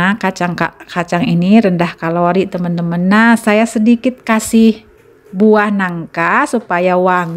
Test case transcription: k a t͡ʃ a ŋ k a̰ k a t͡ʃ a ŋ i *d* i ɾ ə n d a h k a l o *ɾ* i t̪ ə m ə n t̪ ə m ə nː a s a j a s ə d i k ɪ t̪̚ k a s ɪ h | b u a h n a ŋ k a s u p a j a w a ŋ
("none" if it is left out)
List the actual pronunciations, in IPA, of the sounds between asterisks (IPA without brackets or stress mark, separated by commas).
n, ɾ